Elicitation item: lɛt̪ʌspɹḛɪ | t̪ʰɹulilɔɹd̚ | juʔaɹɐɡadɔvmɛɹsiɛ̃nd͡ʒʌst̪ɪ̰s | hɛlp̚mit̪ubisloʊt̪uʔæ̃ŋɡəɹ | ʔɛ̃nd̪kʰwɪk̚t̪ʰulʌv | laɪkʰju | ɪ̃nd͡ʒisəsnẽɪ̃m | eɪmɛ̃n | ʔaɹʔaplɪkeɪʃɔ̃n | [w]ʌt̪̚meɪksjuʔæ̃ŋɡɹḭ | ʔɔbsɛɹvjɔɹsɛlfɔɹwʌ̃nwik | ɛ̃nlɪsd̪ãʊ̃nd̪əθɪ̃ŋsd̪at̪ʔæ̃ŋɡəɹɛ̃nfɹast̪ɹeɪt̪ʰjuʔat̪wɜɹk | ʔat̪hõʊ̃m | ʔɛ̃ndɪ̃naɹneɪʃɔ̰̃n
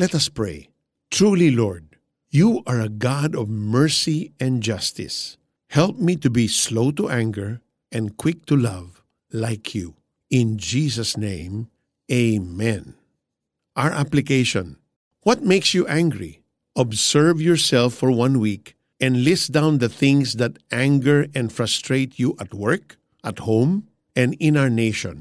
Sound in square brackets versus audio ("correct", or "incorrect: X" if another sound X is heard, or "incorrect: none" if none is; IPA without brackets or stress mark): correct